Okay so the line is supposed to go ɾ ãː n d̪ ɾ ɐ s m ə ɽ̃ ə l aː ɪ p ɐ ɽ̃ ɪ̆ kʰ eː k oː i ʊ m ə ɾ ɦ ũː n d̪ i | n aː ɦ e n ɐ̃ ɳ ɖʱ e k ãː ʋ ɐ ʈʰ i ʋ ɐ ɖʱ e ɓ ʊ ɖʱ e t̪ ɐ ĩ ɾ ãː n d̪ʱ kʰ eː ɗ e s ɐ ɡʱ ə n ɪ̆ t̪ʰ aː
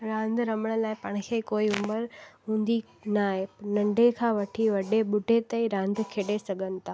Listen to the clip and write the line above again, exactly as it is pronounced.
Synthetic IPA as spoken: ɾ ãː n d̪ ɾ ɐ m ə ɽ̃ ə l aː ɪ p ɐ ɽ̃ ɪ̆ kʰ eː k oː i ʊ m ə ɾ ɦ ũː n d̪ i | n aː ɦ e n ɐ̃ ɳ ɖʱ e kʰ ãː ʋ ɐ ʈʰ i ʋ ɐ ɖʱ e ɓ ʊ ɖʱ e t̪ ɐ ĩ ɾ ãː n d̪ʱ kʰ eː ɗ e s ɐ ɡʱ ə n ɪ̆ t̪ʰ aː